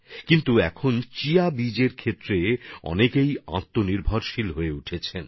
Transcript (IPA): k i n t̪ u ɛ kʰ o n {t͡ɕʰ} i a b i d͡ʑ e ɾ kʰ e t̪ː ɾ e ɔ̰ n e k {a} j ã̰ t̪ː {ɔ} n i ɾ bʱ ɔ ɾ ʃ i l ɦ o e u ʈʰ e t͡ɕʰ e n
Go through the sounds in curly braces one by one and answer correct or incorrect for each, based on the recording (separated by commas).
incorrect, incorrect, incorrect